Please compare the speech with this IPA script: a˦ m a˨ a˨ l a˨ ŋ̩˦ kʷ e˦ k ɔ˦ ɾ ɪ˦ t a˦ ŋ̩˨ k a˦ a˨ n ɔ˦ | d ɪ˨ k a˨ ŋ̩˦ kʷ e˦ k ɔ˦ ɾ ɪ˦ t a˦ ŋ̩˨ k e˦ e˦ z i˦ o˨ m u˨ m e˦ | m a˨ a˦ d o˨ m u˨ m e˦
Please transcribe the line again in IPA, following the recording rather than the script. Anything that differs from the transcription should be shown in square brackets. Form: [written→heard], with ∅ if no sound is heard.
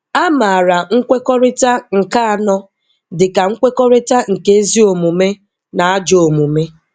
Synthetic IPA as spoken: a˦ m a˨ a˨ [l→ɾ] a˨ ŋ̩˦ kʷ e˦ k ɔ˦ ɾ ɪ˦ t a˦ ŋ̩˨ k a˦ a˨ n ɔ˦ | d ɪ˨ k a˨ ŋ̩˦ kʷ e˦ k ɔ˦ ɾ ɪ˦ t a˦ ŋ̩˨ k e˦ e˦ z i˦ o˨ m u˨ m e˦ | [m→n] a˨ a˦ [d→d͡ʒ] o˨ m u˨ m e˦